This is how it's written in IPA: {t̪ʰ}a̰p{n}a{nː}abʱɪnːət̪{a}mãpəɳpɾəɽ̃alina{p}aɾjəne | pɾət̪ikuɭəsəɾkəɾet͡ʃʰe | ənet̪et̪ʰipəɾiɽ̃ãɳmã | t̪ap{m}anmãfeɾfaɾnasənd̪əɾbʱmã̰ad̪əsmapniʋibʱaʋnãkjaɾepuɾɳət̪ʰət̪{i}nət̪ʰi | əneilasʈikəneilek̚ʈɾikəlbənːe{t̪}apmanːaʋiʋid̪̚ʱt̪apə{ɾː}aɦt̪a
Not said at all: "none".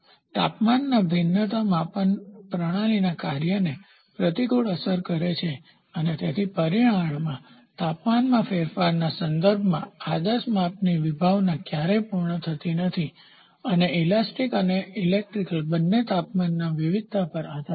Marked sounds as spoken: t̪, m, nː, a, k, m, i, t̪, ɾ

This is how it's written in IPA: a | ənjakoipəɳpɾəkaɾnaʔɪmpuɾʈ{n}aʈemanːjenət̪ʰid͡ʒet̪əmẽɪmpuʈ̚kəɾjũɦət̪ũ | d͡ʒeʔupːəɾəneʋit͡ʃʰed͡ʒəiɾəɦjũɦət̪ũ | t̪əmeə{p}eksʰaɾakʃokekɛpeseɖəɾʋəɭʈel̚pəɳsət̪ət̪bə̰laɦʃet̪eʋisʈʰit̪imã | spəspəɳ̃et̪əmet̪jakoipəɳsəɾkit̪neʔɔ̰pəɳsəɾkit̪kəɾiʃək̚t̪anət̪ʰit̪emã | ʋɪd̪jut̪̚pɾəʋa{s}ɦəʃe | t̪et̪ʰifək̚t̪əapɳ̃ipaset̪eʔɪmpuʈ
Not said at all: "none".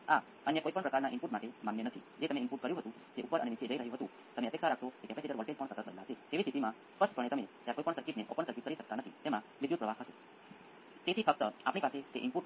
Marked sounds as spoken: m, p, s

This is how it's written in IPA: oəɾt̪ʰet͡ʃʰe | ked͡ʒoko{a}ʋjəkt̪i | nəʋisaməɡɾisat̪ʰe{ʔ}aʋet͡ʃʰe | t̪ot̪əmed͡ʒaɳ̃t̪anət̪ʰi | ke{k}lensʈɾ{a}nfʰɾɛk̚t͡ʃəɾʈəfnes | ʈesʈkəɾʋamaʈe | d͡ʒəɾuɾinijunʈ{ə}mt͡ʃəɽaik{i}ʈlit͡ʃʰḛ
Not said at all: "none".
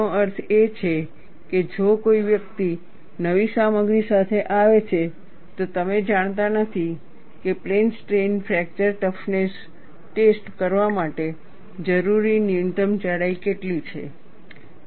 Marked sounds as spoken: i, ʔ, p, e, ə, e

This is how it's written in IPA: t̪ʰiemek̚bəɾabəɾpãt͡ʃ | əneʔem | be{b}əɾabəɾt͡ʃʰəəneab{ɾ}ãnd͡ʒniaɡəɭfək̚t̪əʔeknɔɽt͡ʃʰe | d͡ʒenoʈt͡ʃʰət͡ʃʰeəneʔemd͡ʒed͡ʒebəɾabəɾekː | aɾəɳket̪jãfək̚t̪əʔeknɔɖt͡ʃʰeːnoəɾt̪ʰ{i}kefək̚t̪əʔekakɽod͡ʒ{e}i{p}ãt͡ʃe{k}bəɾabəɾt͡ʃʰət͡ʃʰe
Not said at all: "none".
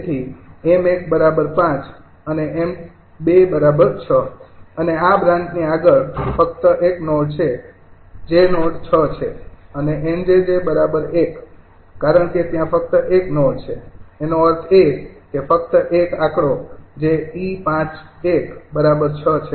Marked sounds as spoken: b, ɾ, e, e, p, k

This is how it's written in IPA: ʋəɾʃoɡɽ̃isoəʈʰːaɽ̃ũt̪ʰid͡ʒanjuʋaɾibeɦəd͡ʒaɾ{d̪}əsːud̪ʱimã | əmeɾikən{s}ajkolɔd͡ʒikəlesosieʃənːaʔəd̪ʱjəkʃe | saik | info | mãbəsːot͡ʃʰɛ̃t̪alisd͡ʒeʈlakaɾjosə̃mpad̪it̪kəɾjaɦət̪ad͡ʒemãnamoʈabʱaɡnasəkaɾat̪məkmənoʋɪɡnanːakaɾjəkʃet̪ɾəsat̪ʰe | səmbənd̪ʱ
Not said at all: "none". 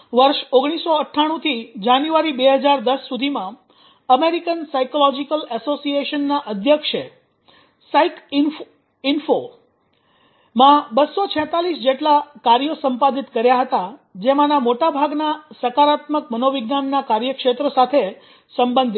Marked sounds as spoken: d̪, s

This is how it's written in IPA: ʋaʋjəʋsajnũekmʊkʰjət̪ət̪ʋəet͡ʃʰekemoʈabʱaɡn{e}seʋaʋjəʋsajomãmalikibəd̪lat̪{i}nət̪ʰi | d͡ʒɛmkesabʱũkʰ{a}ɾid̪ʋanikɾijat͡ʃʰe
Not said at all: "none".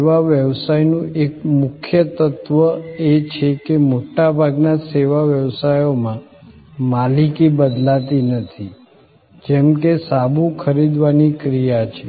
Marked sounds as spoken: a, i, ə

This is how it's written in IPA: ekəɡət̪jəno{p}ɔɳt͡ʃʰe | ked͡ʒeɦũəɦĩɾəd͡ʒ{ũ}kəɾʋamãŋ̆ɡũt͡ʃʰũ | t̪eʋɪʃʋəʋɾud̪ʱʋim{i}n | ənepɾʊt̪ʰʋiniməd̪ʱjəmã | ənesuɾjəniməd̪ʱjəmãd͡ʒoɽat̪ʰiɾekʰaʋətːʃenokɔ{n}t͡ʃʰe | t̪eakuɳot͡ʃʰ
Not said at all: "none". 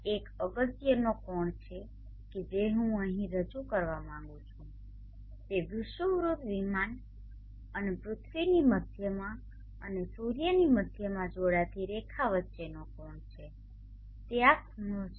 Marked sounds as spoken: k, u, a, ɳ

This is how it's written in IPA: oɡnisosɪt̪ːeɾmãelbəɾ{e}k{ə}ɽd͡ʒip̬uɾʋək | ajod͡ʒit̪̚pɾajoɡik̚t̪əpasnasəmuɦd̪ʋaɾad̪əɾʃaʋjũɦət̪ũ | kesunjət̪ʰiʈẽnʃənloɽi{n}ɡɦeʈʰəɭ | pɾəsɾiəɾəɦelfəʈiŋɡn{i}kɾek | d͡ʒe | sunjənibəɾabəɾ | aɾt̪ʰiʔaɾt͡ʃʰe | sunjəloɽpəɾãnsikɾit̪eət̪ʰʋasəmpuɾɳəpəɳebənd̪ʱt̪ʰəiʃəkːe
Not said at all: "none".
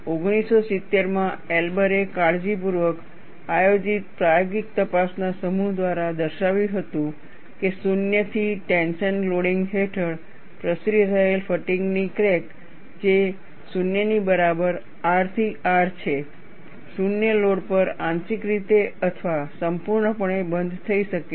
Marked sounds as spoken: e, a, ŋ, i

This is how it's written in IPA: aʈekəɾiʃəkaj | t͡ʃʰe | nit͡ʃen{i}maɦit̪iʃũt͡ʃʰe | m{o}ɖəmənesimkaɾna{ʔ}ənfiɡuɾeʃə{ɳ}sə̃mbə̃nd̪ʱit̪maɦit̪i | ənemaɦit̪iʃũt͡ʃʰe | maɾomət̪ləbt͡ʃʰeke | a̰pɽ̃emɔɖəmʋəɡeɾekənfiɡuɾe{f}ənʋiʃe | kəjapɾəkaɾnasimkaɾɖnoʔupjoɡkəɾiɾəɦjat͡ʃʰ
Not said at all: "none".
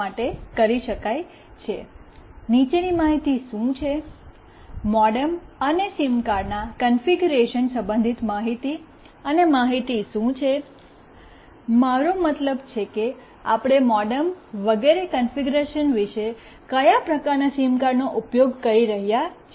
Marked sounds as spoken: i, ɔ, k, n, ʃ

